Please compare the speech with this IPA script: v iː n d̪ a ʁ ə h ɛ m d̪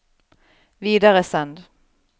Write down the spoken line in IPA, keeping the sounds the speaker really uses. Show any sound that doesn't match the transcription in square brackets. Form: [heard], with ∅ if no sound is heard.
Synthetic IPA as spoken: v iː [∅] d̪ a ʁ ə [s] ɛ [n] d̪